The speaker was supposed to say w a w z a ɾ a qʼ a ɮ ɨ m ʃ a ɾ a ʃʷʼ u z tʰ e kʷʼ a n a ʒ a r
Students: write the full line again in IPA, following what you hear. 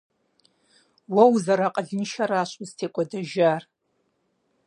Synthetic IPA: w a w z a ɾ a qʼ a ɮ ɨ n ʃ a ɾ a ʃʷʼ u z tʰ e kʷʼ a d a ʒ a r